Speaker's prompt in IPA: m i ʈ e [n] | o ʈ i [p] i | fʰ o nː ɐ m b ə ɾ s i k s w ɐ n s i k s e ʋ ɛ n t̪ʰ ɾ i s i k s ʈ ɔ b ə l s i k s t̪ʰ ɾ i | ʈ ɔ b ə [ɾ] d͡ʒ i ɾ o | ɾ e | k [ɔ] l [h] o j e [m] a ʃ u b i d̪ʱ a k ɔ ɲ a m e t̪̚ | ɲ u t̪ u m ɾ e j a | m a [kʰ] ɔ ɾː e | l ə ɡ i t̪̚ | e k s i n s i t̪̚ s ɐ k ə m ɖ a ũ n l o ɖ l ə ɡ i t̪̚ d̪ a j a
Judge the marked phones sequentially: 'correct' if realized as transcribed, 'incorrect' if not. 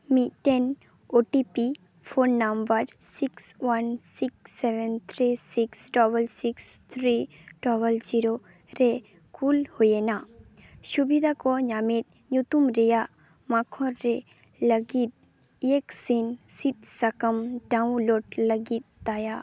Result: correct, correct, incorrect, incorrect, correct, incorrect, correct

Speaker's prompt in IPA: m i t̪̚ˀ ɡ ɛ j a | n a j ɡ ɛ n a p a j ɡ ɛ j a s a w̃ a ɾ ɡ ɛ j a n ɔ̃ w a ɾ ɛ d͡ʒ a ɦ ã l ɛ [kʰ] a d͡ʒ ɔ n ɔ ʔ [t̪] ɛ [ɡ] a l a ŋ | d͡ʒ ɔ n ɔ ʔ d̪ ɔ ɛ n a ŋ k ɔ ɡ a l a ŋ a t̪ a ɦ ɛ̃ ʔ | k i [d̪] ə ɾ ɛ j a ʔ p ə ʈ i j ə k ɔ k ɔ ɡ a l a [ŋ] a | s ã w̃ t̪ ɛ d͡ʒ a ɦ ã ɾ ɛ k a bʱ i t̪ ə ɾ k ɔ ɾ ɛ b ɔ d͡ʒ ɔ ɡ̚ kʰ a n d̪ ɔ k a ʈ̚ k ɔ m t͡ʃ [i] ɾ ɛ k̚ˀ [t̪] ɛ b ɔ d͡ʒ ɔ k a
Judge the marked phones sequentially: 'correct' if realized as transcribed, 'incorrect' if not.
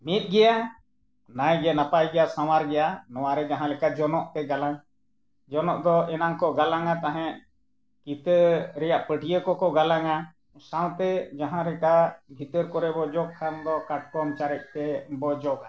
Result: incorrect, correct, correct, incorrect, correct, incorrect, correct

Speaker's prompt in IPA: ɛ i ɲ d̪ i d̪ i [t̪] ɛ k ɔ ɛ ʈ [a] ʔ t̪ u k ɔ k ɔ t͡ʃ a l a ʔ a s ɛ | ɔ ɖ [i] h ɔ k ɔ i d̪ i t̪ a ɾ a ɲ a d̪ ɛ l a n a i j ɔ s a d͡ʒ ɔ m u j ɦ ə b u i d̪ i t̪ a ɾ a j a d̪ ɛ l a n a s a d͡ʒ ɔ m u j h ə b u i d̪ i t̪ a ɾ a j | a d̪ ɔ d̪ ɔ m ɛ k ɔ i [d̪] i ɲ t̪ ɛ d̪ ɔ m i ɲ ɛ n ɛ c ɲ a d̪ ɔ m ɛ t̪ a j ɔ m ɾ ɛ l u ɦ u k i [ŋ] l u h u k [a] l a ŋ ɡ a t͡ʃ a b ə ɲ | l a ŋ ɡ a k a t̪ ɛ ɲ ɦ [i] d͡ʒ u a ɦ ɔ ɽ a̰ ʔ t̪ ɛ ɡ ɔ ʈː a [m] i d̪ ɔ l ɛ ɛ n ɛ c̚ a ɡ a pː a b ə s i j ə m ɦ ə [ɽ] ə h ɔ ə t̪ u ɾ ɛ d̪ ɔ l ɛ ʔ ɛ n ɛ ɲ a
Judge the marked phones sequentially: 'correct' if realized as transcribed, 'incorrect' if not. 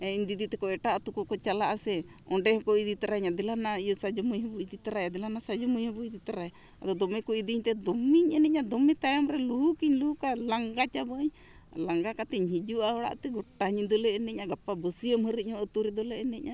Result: correct, correct, incorrect, correct, incorrect, correct, correct, incorrect, incorrect

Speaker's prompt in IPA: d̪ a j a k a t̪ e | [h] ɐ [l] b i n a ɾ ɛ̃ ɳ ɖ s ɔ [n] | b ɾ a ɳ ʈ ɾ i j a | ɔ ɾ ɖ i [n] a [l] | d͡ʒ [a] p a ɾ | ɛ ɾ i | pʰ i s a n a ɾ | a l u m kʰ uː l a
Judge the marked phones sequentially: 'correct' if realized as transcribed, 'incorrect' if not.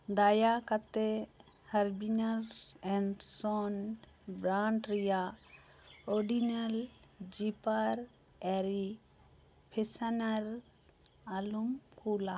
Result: correct, incorrect, correct, correct, correct, incorrect

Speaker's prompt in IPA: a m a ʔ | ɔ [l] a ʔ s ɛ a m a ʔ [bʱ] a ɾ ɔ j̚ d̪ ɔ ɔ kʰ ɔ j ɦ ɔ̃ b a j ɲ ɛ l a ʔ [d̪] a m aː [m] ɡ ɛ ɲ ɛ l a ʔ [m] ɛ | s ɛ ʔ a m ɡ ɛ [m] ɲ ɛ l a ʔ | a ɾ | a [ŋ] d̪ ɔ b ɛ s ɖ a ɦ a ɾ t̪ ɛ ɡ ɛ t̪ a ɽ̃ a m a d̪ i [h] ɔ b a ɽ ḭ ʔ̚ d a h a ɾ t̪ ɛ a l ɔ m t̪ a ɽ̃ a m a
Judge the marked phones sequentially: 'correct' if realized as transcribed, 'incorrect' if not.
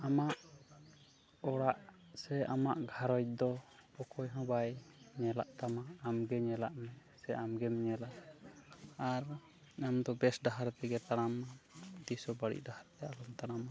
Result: incorrect, incorrect, incorrect, correct, correct, correct, incorrect, incorrect

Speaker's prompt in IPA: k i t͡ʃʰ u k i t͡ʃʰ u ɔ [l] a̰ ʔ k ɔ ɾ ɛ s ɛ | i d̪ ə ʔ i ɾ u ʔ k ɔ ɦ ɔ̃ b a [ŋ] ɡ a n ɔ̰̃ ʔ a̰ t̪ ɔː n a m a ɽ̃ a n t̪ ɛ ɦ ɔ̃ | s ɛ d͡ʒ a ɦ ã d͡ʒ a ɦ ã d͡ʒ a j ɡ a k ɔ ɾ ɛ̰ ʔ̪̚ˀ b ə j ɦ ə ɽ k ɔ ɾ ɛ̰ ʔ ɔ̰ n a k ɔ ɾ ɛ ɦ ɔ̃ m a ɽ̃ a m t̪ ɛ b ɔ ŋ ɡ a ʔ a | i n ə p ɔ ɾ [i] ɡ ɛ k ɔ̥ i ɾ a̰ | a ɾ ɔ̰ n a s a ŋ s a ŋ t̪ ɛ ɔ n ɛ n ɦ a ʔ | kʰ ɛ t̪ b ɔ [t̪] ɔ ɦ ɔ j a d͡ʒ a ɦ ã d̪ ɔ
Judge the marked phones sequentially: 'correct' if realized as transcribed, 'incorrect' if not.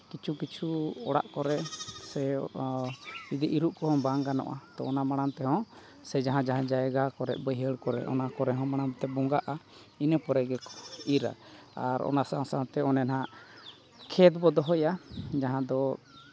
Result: incorrect, correct, incorrect, incorrect

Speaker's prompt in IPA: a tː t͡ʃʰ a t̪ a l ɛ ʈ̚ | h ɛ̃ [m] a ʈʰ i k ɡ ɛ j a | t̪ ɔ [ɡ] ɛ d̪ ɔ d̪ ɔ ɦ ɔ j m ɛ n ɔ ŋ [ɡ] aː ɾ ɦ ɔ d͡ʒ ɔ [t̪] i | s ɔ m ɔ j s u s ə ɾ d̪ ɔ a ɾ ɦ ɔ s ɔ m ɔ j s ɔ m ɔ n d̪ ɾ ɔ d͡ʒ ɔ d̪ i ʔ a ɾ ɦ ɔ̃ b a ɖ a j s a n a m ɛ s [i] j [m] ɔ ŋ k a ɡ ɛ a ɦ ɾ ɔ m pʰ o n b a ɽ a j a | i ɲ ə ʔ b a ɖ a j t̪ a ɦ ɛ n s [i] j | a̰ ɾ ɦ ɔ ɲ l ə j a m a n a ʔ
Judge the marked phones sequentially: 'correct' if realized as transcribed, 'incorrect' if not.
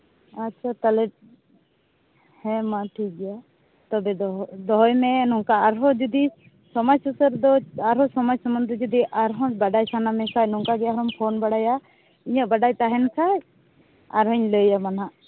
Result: correct, incorrect, incorrect, incorrect, incorrect, incorrect, incorrect

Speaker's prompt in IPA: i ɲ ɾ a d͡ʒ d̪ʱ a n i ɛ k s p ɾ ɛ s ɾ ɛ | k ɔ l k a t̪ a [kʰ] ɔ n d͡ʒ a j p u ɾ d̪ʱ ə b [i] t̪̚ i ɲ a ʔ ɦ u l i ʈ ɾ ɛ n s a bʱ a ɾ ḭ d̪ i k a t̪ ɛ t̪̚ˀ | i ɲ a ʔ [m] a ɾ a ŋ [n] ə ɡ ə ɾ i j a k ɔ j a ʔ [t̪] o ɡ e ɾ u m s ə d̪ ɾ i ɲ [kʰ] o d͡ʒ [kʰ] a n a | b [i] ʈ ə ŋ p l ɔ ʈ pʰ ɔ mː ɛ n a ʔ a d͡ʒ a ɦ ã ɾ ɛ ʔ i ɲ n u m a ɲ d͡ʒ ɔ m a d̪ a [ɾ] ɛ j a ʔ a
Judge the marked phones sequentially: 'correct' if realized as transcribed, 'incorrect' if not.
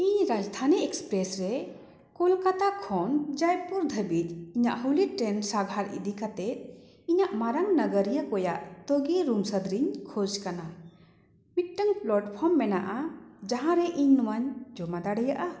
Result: correct, correct, correct, correct, correct, correct, incorrect, correct, incorrect

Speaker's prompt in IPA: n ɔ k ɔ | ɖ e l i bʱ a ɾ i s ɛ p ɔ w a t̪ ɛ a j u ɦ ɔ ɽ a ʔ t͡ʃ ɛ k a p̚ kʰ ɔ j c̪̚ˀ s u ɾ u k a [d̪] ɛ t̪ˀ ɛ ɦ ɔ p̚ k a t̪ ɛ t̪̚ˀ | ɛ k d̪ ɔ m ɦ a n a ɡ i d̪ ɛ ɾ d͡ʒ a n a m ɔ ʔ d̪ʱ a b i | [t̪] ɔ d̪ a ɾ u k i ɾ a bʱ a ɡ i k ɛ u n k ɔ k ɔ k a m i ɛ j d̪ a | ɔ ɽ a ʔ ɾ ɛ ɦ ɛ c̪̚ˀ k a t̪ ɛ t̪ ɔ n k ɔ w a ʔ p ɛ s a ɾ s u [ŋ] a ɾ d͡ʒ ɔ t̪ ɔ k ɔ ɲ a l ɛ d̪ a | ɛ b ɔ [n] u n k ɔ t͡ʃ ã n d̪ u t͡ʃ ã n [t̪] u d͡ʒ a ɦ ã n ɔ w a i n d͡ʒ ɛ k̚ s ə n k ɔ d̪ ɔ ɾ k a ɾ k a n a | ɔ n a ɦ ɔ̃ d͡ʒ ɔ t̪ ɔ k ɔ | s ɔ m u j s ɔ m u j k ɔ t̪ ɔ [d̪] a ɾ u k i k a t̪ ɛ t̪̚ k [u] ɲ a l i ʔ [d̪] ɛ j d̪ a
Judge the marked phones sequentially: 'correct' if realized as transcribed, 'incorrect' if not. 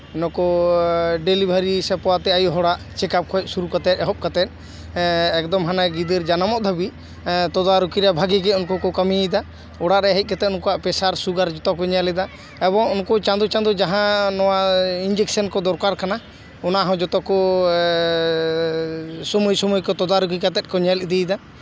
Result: incorrect, correct, incorrect, incorrect, incorrect, correct, incorrect, correct

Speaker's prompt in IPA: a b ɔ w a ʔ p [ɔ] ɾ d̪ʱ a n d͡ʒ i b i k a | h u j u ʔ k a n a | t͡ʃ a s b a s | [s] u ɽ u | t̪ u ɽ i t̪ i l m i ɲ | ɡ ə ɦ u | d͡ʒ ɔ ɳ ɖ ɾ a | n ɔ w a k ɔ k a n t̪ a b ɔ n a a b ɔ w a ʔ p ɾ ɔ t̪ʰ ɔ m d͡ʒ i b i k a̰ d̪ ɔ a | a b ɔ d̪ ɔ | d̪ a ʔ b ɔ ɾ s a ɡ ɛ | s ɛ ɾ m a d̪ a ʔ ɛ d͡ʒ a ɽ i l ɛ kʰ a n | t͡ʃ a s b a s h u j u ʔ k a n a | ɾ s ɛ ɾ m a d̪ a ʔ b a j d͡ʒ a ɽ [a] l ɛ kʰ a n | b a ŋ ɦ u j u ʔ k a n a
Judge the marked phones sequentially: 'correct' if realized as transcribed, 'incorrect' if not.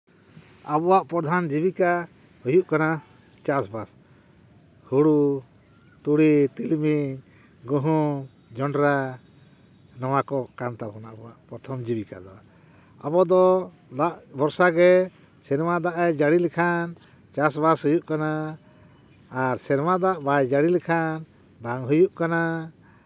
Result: correct, incorrect, incorrect

